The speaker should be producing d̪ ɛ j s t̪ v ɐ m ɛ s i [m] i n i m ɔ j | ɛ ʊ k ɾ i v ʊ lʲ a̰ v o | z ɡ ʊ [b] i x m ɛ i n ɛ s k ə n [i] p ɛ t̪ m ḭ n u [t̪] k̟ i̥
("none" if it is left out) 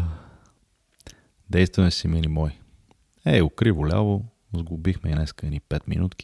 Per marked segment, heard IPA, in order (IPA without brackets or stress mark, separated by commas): m, b, i, t̪